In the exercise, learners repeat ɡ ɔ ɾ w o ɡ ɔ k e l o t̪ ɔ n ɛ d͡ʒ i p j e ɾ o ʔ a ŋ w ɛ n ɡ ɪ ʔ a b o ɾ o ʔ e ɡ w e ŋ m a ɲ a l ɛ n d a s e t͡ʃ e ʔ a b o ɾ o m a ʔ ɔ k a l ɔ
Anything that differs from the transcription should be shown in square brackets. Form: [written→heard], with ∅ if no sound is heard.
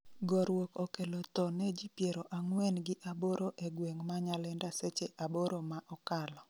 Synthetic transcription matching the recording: ɡ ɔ ɾ w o [ɡ→k] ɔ k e l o t̪ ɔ n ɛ d͡ʒ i p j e ɾ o ʔ a ŋ w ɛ n ɡ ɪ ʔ a b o ɾ o ʔ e ɡ w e ŋ m a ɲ a l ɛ n d a s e t͡ʃ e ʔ a b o ɾ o m a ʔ ɔ k a l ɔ

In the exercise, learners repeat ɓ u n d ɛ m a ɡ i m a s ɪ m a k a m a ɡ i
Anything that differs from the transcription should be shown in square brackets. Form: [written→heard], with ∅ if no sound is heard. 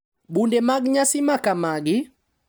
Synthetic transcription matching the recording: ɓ u n d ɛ m a ɡ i [m→ɲ] a s [ɪ→i] m a k a m a ɡ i

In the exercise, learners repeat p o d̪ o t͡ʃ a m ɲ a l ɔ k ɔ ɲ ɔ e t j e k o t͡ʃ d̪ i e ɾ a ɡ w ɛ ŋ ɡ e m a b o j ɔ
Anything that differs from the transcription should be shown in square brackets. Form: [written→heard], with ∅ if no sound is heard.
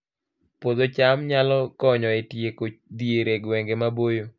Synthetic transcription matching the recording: p o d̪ o t͡ʃ a m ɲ a l ɔ k ɔ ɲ ɔ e t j e k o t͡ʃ d̪ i e ɾ [a→e] ɡ w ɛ ŋ ɡ e m a b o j [ɔ→o]

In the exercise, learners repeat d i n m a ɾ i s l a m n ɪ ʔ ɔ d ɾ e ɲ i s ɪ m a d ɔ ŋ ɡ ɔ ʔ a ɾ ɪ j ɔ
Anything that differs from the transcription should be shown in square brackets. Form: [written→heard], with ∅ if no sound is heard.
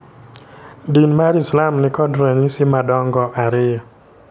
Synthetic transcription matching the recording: d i n m a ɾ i s l a m n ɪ [ʔ→k] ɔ d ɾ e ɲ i s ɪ m a d ɔ ŋ ɡ ɔ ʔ a ɾ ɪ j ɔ

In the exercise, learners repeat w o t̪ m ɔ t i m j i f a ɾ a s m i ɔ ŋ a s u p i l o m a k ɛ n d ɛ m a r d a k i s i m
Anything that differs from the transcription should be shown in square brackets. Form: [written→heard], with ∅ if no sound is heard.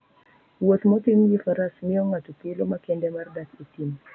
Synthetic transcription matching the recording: w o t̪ m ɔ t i m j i f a ɾ a s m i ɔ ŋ a [s→t] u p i l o m a k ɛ n d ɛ m a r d a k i [s→t] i m

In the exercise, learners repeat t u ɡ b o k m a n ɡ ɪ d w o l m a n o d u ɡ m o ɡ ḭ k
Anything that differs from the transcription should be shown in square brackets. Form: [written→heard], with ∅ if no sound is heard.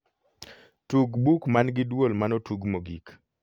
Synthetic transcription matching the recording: t u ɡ b [o→u] k m a n ɡ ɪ d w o l m a n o [d→t] u ɡ m o ɡ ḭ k

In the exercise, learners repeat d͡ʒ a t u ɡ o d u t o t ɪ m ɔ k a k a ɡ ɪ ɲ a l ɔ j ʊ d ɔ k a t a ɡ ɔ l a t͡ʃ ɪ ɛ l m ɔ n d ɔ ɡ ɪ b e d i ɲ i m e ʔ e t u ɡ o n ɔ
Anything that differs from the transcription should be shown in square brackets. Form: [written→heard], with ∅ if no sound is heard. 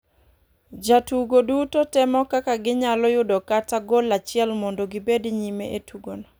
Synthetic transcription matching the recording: d͡ʒ a t u ɡ o d u t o t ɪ m ɔ k a k a ɡ ɪ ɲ a l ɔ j ʊ d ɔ k a t a ɡ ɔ l a t͡ʃ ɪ ɛ l m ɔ n d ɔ ɡ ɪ b e d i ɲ i m e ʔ e t u ɡ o n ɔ

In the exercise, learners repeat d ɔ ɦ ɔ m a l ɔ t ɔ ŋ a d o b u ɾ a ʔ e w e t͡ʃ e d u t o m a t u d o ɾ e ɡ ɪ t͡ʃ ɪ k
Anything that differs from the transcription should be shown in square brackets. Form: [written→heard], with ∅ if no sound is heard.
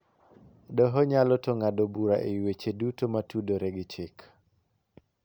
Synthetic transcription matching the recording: d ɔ ɦ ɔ [m→ɲ] a l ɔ t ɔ ŋ a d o b u ɾ a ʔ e w e t͡ʃ e d u t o m a t u d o ɾ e ɡ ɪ t͡ʃ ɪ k

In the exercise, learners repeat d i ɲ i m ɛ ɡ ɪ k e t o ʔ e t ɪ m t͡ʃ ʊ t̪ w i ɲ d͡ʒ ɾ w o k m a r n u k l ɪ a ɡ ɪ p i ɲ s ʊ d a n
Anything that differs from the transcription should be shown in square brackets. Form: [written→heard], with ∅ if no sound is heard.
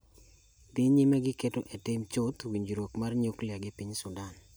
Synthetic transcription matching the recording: d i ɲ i m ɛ ɡ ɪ k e t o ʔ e t ɪ m t͡ʃ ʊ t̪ w i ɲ d͡ʒ ɾ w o k m a r [n→ɲ] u k l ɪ a ɡ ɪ p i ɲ s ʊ d a n

